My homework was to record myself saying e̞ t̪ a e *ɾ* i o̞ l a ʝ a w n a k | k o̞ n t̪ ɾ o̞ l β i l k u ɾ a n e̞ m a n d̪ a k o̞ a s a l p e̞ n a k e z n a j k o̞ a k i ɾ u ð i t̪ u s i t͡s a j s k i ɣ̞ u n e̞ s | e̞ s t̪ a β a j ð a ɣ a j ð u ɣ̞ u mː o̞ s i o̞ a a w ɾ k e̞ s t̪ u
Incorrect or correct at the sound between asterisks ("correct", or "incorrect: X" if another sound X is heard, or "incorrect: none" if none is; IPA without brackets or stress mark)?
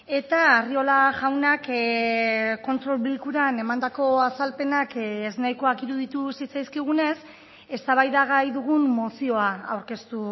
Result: incorrect: r